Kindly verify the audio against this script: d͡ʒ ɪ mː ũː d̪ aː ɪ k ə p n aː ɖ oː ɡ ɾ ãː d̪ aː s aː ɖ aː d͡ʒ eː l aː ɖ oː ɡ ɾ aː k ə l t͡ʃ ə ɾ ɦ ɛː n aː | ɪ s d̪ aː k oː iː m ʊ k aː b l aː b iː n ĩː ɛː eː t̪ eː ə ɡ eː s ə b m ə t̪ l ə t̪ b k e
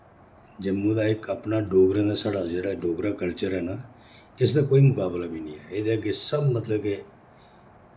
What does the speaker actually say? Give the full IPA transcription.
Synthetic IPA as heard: d͡ʒ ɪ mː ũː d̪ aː ɪ k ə p n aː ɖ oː ɡ ɾ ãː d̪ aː s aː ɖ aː d͡ʒ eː ɽ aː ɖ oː ɡ ɾ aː k ə l t͡ʃ ə ɾ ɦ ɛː n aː | ɪ s d̪ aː k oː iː m ʊ k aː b l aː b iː n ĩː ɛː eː d̪ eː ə ɡ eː s ə b m ə t̪ l ə b k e